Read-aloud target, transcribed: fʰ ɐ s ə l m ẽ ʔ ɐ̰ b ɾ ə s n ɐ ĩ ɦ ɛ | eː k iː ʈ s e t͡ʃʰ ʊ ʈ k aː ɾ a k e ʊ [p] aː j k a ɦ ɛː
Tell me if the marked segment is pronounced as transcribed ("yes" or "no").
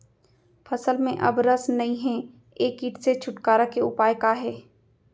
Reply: yes